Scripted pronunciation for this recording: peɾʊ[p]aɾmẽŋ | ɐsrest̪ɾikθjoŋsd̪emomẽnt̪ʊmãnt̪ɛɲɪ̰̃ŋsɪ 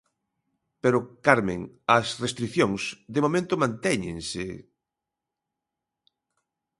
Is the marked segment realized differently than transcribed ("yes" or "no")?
yes